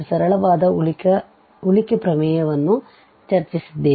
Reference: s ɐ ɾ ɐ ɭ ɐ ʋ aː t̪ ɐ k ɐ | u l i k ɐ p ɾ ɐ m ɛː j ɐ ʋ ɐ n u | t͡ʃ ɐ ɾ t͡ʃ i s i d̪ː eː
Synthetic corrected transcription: s ɐ ɾ ɐ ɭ ɐ ʋ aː d̪ ɐ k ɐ | u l i k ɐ p ɾ ɐ m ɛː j ɐ ʋ ɐ nː u | t͡ʃ ɐ ɾ t͡ʃ i s i d̪ː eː